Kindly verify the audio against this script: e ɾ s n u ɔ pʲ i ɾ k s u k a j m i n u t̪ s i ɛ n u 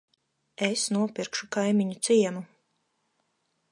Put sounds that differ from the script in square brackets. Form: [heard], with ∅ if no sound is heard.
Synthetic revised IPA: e [∅] s n u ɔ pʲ i ɾ k [ʃ] u k a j m i [ɲ] u t̪ s i ɛ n u